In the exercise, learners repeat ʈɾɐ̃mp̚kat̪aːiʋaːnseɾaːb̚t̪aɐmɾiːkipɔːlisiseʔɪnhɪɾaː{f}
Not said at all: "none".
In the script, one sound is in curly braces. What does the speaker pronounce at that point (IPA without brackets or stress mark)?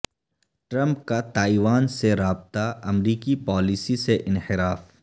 f